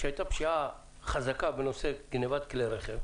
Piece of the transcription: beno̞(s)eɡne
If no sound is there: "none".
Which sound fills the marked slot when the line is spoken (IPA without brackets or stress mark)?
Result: s